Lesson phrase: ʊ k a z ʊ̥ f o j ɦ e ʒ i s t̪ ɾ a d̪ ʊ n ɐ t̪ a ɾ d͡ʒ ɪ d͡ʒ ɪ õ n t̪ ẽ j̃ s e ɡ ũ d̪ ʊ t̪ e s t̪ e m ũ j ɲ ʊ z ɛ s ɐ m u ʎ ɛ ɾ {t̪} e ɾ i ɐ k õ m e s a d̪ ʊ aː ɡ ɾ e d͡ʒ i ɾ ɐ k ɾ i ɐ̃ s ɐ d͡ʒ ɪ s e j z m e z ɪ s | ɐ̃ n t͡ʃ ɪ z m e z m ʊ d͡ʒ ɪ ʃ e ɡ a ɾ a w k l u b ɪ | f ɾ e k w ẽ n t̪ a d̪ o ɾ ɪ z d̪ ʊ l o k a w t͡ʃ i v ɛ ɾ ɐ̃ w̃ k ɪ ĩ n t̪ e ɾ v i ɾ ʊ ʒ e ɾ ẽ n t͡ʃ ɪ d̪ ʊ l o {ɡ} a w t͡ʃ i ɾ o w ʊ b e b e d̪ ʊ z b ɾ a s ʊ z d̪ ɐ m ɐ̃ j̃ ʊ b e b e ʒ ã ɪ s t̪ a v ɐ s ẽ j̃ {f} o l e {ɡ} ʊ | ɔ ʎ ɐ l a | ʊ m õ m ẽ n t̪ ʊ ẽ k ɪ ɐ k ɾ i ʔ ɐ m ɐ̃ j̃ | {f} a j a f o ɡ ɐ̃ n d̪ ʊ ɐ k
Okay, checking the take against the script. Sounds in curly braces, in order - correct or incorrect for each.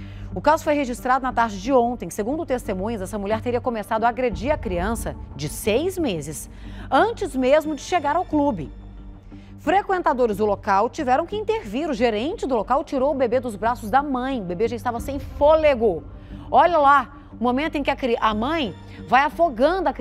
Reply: correct, incorrect: k, correct, correct, incorrect: v

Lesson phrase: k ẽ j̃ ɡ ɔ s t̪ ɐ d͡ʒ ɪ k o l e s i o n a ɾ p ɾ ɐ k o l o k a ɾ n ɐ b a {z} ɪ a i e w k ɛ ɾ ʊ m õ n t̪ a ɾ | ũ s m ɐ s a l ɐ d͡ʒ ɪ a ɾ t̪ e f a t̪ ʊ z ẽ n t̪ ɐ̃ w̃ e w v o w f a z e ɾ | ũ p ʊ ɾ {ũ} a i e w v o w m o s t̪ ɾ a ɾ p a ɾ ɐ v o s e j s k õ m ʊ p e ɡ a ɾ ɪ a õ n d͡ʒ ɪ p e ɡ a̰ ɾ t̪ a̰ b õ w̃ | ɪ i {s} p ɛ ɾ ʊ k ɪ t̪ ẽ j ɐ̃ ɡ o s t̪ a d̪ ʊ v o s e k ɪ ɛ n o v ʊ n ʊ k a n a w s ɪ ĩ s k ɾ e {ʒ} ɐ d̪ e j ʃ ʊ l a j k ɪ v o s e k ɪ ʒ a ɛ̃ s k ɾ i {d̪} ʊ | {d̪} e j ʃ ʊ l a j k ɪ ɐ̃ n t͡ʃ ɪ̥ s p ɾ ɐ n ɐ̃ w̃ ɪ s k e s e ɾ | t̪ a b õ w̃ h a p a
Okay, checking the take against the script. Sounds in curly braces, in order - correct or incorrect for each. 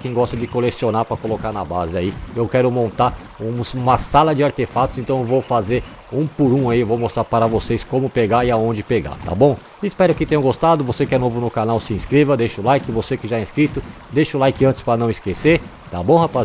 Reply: correct, correct, correct, incorrect: v, incorrect: t̪, correct

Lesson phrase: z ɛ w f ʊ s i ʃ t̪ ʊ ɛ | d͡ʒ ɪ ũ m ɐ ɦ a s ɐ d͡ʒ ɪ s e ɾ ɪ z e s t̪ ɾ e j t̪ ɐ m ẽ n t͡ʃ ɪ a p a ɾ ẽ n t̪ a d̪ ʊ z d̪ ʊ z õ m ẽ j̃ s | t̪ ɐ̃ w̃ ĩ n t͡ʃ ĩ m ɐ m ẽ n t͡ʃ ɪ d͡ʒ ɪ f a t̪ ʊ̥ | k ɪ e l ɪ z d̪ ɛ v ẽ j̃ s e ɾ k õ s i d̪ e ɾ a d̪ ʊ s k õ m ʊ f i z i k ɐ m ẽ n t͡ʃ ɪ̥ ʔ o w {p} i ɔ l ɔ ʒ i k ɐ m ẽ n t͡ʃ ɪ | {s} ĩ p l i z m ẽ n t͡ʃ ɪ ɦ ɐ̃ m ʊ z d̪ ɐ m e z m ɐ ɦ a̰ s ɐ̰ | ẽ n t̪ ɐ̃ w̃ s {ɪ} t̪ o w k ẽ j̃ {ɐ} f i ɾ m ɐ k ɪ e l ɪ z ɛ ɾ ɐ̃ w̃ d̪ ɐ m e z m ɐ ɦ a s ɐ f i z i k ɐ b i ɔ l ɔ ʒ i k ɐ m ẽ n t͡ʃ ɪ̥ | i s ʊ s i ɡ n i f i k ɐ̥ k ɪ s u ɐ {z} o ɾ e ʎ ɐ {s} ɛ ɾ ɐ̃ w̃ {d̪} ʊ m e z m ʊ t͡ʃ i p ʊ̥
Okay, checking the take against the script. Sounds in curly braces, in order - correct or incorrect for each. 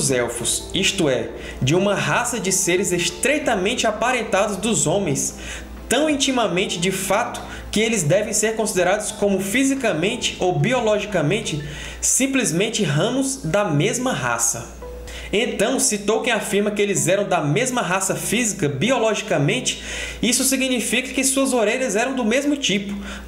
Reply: incorrect: b, correct, incorrect: i, incorrect: a, correct, incorrect: z, correct

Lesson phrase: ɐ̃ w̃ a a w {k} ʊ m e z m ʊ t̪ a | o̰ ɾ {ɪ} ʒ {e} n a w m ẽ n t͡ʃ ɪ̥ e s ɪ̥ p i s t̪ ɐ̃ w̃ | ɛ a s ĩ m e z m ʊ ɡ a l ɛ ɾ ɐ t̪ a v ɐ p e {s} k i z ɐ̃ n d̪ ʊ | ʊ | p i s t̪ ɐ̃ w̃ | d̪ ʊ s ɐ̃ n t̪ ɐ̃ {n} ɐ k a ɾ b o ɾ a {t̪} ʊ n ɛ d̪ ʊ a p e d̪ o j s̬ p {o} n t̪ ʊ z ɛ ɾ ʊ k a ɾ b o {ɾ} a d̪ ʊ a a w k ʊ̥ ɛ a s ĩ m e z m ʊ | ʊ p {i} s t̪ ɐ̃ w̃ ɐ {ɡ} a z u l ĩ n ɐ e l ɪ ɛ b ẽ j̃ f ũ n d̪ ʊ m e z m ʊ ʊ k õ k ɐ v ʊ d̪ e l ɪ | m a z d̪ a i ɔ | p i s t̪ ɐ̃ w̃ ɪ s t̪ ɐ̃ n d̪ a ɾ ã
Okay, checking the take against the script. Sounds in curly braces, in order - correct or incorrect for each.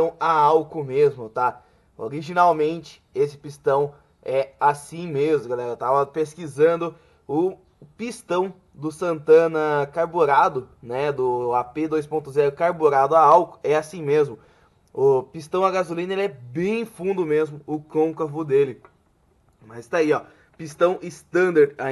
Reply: correct, incorrect: i, incorrect: i, correct, correct, incorrect: d̪, incorrect: õ, correct, correct, correct

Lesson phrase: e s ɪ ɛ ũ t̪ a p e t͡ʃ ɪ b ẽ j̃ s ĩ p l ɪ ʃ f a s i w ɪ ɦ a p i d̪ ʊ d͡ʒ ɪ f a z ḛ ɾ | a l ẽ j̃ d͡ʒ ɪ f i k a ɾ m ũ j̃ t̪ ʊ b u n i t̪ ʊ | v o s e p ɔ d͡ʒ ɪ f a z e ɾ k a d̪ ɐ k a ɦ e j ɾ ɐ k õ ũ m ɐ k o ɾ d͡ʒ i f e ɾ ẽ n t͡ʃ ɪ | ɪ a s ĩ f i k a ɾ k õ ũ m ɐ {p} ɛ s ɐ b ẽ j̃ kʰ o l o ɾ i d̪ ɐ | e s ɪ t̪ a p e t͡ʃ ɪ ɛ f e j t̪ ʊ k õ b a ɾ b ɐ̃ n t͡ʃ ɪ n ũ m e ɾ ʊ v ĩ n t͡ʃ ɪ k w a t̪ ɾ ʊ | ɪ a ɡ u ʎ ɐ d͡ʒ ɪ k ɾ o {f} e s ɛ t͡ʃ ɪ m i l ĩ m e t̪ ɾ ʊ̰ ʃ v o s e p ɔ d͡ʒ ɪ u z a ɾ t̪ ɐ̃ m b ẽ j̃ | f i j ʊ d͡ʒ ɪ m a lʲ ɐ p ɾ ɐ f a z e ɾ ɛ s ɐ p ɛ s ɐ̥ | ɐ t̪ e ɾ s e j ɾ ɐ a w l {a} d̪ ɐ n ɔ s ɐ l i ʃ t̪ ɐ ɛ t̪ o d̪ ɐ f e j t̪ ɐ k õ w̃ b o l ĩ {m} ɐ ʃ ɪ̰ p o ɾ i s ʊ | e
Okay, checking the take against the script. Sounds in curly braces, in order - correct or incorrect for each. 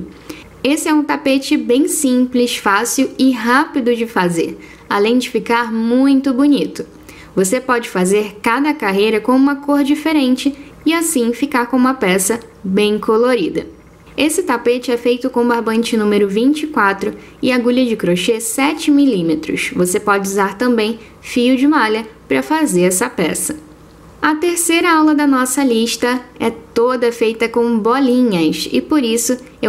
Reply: correct, incorrect: ʃ, incorrect: ɐ, incorrect: ɲ

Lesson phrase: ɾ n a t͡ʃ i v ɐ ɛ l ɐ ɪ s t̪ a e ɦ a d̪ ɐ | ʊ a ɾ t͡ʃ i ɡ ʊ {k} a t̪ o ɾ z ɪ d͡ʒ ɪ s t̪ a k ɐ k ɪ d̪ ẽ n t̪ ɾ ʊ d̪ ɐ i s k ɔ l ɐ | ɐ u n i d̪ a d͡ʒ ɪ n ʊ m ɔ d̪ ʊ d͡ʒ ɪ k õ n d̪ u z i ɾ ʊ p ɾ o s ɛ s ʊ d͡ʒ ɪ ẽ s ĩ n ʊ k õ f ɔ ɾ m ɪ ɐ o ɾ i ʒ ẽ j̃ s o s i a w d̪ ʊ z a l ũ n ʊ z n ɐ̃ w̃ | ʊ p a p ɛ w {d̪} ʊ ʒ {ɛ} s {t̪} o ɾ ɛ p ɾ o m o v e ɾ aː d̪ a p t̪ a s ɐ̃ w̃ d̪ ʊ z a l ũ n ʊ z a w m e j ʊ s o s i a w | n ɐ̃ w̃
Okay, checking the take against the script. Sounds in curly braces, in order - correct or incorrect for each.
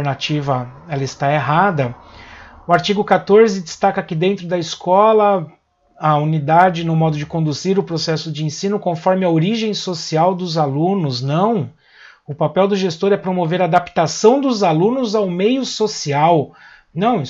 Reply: correct, correct, incorrect: e, correct

